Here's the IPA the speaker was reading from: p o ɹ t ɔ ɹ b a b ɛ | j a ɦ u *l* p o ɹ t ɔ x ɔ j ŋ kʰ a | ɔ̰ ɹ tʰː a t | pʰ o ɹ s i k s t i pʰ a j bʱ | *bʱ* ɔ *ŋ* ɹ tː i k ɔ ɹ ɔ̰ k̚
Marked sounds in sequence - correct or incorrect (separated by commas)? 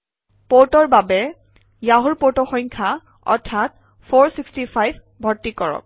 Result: incorrect, correct, incorrect